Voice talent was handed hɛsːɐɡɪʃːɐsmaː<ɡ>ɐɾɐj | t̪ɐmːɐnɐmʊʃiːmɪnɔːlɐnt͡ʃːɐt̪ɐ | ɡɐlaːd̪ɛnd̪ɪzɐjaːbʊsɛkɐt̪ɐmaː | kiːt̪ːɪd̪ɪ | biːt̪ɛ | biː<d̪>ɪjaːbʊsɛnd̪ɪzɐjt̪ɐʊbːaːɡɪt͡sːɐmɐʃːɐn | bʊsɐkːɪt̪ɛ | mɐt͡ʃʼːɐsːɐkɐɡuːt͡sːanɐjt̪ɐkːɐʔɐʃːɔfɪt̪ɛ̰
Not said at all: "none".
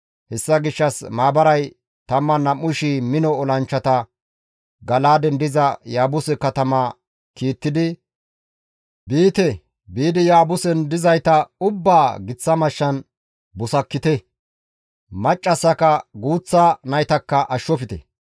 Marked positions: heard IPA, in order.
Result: b, d̪

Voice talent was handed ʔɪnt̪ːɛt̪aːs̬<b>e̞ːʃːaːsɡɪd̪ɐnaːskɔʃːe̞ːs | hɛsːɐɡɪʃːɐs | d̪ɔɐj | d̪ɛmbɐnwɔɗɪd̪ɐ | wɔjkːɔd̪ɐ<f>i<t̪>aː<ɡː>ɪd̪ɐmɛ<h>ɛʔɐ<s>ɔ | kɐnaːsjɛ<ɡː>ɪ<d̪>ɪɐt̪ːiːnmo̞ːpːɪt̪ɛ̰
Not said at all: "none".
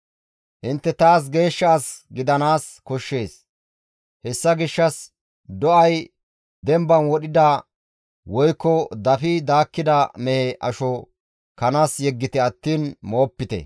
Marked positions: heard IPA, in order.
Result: ɡ, f, d̪, kː, h, ʃ, ɡː, t̪

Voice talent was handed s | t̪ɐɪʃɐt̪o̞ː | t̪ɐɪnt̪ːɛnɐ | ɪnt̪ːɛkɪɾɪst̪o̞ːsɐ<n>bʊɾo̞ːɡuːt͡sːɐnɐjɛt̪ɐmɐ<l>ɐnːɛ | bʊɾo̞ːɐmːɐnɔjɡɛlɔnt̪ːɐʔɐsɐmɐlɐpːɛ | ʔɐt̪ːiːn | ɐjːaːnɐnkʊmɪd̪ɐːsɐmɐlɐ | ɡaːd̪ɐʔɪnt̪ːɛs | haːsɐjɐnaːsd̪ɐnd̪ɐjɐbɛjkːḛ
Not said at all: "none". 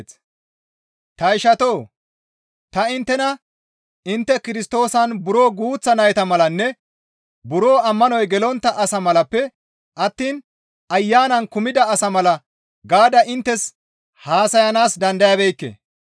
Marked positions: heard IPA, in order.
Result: n, l

